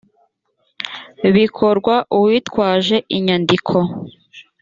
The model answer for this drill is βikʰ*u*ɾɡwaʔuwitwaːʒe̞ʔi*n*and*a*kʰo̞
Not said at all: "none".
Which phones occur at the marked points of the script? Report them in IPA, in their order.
o, ɲ, i

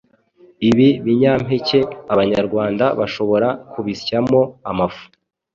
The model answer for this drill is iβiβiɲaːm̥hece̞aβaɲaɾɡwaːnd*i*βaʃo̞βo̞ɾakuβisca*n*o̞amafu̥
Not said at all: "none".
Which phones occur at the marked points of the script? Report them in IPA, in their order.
a, m

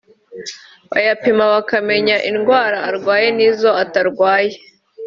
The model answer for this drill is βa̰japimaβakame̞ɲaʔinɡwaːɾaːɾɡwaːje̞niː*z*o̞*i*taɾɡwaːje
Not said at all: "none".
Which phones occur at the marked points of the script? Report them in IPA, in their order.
z, a

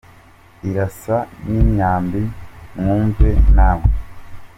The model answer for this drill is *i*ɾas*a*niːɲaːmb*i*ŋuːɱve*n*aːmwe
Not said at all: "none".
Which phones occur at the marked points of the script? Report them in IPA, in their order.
i, a, i, n

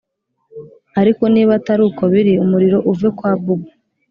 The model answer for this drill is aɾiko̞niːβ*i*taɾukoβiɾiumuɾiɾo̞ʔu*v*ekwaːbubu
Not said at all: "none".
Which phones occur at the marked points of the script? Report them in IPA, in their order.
a, v

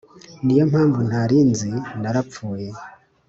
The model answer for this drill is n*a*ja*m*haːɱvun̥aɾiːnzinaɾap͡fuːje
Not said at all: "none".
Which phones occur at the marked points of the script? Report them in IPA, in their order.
i, m

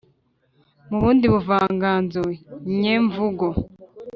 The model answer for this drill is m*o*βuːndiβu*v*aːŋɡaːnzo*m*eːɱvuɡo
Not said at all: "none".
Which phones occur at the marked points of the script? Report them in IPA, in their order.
u, v, ɲ

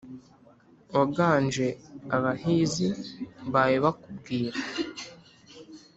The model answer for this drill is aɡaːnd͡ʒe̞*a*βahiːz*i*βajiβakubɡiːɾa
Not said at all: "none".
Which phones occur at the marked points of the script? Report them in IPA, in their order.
a, i

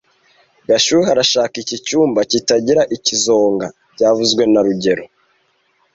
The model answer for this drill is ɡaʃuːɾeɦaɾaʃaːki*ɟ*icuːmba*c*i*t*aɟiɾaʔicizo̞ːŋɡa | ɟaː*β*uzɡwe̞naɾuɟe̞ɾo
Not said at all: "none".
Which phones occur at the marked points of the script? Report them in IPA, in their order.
c, c, t, v

